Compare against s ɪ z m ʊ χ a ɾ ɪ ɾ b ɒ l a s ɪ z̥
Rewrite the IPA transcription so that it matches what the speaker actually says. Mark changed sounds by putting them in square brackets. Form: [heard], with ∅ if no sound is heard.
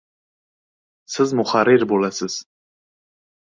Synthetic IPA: s ɪ z m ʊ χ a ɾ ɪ ɾ b [o] l a s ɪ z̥